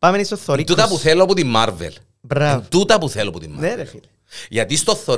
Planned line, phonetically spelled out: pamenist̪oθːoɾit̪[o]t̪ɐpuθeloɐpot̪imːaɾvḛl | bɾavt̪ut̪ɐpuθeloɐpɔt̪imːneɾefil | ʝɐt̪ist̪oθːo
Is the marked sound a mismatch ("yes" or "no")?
yes